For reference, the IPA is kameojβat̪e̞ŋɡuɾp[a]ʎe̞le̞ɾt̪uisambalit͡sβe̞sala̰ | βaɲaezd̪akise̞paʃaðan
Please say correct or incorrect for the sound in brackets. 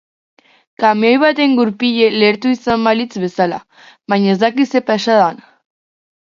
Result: incorrect